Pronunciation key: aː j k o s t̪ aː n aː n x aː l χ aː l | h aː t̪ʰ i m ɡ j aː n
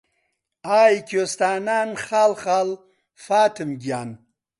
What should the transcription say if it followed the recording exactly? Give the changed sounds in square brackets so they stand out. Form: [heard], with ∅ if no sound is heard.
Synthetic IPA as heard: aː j k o s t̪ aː n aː n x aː l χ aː l | [f] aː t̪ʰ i m ɡ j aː n